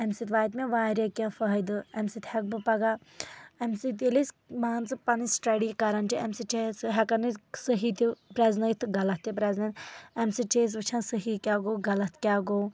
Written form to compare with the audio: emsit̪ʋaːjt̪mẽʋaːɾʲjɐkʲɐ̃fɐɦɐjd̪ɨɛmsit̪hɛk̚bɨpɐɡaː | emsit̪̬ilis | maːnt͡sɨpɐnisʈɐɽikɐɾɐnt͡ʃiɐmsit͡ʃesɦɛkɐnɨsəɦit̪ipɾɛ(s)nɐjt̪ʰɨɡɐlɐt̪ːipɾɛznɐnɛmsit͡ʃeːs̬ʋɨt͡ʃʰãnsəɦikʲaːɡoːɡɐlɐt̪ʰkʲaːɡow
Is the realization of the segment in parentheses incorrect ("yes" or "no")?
yes